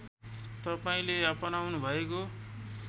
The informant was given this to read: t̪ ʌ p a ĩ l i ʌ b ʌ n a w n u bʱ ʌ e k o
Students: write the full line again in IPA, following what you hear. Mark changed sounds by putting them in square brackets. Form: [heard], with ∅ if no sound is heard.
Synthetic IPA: t̪ ʌ p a ĩ l [e] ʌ [p] ʌ n a w n u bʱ ʌ e k o